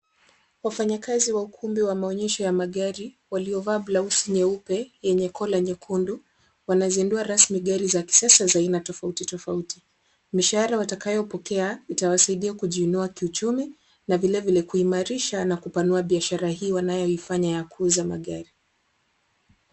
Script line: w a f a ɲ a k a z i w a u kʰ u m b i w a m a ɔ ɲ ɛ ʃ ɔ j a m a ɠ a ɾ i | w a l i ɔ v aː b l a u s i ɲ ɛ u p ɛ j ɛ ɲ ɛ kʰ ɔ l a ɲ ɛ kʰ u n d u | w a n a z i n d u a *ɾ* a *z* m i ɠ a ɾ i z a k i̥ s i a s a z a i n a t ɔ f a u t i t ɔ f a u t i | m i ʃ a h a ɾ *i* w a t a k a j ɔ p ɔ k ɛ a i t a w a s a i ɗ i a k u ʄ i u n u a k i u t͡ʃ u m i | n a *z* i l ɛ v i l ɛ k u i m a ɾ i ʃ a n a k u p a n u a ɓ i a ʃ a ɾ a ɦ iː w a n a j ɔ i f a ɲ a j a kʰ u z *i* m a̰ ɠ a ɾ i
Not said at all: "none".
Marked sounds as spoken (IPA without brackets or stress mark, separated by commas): ɾ, s, a, v, a